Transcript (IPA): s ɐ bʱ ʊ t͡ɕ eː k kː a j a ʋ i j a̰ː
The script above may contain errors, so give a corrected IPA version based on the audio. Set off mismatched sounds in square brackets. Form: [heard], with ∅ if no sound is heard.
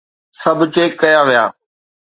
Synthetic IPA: s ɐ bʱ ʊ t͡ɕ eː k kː [ɐ] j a ʋ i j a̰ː